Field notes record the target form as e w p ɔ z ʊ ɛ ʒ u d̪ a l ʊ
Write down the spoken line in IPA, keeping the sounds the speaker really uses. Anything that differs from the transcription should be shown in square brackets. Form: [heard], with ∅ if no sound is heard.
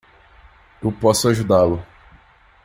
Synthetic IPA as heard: e w p ɔ [s] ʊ [a] ʒ u d̪ a l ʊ